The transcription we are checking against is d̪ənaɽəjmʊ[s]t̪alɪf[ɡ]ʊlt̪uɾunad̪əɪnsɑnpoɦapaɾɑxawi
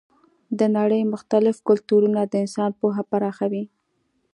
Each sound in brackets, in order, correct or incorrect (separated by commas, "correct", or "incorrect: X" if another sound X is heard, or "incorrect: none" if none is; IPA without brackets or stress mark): incorrect: x, incorrect: k